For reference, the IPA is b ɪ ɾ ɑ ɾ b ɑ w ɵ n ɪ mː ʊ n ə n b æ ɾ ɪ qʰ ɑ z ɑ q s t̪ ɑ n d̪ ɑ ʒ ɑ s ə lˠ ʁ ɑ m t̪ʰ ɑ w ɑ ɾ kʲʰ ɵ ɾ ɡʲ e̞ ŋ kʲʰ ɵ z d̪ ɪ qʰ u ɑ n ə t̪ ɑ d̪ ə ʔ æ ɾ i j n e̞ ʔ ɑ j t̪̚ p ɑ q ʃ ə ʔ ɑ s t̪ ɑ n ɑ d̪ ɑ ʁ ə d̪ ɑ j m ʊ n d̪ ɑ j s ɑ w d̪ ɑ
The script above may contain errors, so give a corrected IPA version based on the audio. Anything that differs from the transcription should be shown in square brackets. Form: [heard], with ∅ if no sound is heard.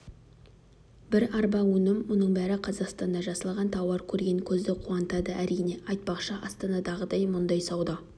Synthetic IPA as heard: b ɪ ɾ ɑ ɾ b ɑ w ɵ n ɪ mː ʊ n ə [ɴ] b æ ɾ ɪ qʰ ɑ z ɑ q s t̪ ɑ n d̪ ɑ ʒ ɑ s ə lˠ ʁ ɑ [n] t̪ʰ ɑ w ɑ ɾ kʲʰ ɵ ɾ ɡʲ e̞ ŋ kʲʰ ɵ z d̪ ɪ qʰ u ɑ n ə t̪ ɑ d̪ ə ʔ æ ɾ i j n e̞ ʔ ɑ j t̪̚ p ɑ q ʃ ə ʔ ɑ s t̪ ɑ n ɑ d̪ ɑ ʁ ə d̪ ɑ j m ʊ n d̪ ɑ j s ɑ w d̪ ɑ

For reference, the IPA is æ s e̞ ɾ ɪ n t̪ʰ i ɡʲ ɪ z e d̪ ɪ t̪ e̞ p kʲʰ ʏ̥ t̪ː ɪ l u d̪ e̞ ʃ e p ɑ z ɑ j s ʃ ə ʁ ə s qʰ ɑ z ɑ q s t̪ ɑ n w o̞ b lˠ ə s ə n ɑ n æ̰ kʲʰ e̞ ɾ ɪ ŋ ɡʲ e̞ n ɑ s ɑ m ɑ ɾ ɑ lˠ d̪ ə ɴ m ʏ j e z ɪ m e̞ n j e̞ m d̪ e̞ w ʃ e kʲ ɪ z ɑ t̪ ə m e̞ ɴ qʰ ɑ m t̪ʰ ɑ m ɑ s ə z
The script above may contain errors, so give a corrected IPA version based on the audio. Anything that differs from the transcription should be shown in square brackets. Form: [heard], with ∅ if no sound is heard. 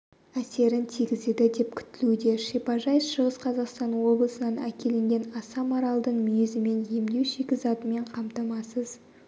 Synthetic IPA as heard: æ s e̞ ɾ ɪ n t̪ʰ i ɡʲ ɪ z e d̪ ɪ [d̪] e̞ p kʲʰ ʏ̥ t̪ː ɪ l u d̪ e̞ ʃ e p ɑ [ʒ] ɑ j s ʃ ə ʁ ə s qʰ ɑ z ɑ q s t̪ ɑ n w o̞ b lˠ ə s ə n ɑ n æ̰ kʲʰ e̞ [l] ɪ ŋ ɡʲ e̞ n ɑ s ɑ m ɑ ɾ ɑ lˠ d̪ ə ɴ m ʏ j e z ɪ m e̞ n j e̞ m d̪ e̞ w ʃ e kʲ ɪ z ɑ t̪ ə m e̞ ɴ qʰ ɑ m [t̪] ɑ m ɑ s ə z

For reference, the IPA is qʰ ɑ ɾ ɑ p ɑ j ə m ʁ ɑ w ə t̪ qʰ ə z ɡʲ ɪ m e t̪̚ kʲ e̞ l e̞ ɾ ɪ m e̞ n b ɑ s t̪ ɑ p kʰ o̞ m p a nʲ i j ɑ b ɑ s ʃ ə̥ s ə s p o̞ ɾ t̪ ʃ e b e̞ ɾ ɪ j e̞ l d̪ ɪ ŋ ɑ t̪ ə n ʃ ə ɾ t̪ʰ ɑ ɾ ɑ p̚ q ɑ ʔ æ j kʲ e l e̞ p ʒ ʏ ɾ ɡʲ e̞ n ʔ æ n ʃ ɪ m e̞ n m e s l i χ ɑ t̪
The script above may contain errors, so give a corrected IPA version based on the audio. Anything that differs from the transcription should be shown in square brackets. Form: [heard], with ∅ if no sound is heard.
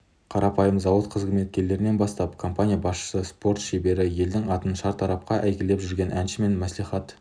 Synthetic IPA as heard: qʰ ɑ ɾ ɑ p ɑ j ə m [z] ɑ w ə t̪ qʰ ə z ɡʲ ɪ m e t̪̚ kʲ e̞ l e̞ ɾ ɪ [n] e̞ n b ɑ s t̪ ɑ p kʰ o̞ m p a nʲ i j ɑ b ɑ s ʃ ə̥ s ə s p o̞ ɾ t̪ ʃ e b e̞ ɾ ɪ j e̞ l d̪ ɪ ŋ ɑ t̪ ə n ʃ [ɑ] ɾ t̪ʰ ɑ ɾ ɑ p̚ q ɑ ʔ æ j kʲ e l e̞ p ʒ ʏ ɾ ɡʲ e̞ n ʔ æ n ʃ ɪ m e̞ n m [æ] s l i χ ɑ t̪

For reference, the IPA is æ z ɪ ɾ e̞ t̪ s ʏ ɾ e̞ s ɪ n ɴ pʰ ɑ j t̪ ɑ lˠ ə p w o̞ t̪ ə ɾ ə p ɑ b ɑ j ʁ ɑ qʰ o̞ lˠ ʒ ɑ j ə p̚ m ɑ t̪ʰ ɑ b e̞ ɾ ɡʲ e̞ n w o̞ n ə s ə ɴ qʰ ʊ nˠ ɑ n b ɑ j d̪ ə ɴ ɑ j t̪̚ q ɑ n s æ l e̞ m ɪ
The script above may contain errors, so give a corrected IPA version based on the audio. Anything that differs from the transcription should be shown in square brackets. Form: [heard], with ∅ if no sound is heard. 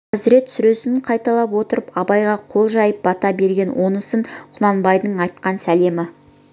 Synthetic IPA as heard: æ z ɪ ɾ e̞ t̪ s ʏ ɾ e̞ s ɪ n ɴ [qʰ] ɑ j t̪ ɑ lˠ [ɑ] p w o̞ t̪ ə ɾ ə p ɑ b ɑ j ʁ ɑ qʰ o̞ lˠ ʒ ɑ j ə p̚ [b] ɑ [t̪] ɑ b e̞ ɾ ɡʲ e̞ n w o̞ n ə s ə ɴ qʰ ʊ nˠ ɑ n b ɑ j d̪ ə ɴ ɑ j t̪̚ q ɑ n s æ l e̞ m ɪ

